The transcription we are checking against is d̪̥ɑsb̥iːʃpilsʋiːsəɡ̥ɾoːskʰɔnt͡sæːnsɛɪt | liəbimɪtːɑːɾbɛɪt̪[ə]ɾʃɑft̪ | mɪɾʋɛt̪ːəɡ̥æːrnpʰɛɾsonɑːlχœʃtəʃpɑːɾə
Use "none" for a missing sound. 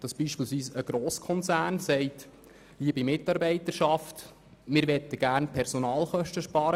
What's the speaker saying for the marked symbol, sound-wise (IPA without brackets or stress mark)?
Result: ə